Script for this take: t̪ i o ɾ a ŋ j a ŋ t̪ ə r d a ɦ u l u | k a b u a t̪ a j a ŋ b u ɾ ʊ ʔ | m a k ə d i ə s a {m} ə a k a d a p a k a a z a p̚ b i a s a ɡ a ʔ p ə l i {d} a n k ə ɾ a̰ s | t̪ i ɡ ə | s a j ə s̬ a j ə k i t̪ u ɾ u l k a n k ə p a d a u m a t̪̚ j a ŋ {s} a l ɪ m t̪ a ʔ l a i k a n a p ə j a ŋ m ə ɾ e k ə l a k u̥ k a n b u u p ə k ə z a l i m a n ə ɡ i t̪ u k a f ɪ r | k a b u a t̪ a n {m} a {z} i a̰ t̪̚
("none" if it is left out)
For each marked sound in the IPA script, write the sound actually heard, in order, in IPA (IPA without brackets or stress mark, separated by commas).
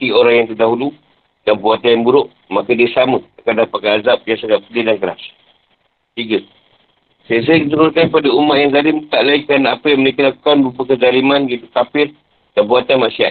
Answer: m, d, z, m, s